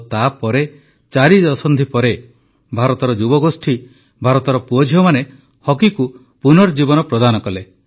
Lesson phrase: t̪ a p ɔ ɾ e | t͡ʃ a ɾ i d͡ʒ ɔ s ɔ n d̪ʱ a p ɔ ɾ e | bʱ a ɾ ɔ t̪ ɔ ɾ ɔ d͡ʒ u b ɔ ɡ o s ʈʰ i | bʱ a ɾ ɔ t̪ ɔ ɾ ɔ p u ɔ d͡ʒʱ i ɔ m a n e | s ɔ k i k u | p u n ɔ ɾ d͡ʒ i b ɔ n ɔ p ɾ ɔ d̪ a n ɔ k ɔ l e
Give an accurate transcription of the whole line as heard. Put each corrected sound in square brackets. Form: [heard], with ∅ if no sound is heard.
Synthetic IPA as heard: t̪ a p ɔ ɾ e | t͡ʃ a ɾ i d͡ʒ ɔ s ɔ n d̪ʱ [i] p ɔ ɾ e | bʱ a ɾ ɔ t̪ ɔ ɾ ɔ d͡ʒ u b ɔ ɡ o s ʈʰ i | bʱ a ɾ ɔ t̪ ɔ ɾ ɔ p u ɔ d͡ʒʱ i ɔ m a n e | [h] ɔ k i k u | p u n ɔ ɾ d͡ʒ i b ɔ n ɔ p ɾ ɔ d̪ a n ɔ k ɔ l e